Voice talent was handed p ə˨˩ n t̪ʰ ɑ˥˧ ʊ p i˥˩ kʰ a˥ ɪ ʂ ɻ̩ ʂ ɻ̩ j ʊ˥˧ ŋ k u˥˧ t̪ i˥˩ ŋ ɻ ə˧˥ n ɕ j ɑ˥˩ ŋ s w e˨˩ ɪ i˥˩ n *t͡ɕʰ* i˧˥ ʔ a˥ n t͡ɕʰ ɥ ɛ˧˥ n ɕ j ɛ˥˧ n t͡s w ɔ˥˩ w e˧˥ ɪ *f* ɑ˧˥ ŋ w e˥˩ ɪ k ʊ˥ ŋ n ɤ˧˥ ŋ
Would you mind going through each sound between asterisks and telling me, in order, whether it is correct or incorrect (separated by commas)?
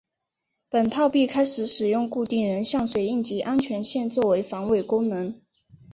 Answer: incorrect, correct